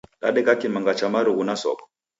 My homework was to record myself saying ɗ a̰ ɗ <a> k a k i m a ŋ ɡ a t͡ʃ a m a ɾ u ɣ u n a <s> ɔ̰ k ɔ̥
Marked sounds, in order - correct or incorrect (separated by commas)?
incorrect, correct